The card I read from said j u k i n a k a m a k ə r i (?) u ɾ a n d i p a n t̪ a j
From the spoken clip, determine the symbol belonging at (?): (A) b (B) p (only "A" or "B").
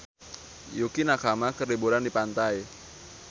A